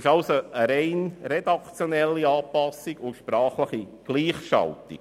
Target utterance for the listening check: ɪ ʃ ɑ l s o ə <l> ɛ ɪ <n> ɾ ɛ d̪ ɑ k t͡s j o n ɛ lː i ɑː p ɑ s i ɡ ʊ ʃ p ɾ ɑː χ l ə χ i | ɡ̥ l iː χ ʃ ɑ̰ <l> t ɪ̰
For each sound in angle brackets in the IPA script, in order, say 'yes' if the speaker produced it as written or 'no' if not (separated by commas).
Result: no, yes, yes